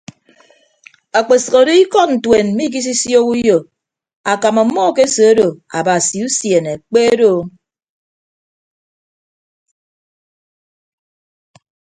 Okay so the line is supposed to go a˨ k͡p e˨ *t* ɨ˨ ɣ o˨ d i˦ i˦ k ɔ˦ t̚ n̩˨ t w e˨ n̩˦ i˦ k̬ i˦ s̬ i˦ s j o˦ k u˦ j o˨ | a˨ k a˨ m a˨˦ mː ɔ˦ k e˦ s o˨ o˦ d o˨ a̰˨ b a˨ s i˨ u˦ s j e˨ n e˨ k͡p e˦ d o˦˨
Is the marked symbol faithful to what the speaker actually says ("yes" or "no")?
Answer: no